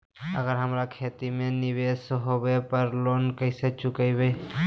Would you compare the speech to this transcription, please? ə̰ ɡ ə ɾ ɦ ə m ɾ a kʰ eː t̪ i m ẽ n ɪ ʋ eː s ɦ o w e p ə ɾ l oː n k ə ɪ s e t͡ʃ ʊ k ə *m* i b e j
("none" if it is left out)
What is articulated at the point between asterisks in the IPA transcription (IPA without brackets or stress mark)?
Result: none